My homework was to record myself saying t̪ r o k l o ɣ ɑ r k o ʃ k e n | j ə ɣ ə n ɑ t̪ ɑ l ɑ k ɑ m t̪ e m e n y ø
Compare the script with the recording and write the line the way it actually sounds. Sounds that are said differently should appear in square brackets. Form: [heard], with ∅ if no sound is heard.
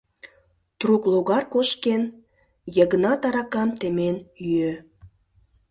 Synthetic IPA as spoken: t̪ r [u] k l o ɣ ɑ r k o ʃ k e n | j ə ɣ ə n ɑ t̪ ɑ [ɾ] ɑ k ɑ m t̪ e m e n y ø